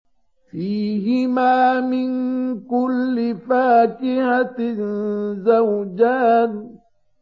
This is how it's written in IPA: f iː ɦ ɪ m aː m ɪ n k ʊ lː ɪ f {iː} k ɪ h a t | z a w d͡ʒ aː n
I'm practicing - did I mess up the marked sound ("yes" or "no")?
yes